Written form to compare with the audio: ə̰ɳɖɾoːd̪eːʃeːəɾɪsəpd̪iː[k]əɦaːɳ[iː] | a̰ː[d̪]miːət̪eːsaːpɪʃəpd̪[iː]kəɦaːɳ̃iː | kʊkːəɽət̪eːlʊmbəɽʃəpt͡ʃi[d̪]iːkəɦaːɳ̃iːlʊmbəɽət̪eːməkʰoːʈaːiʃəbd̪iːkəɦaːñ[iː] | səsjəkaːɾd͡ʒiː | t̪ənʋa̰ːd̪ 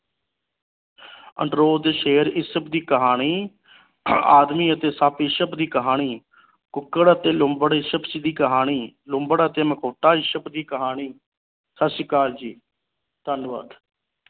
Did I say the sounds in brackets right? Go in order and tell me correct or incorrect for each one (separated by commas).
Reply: correct, correct, correct, correct, correct, correct